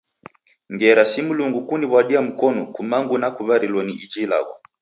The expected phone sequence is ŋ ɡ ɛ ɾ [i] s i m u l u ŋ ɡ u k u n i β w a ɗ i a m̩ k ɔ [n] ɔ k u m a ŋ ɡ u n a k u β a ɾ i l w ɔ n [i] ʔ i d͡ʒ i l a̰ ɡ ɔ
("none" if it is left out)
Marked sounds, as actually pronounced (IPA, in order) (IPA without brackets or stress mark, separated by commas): a, n, i